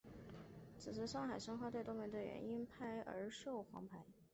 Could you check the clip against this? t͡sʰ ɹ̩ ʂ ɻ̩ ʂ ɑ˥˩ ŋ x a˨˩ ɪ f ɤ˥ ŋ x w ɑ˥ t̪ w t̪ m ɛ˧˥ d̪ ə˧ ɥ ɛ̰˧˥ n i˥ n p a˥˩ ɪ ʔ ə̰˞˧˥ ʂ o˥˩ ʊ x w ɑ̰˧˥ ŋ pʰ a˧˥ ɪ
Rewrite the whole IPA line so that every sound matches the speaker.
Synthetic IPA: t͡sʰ ɹ̩ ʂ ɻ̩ ʂ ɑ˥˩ ŋ x a˨˩ ɪ ʂ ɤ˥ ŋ x w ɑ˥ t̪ w t̪ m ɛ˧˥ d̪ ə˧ ɥ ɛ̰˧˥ n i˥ n pʰ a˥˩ ɪ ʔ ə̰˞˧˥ ʂ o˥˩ ʊ x w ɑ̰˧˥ ŋ pʰ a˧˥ ɪ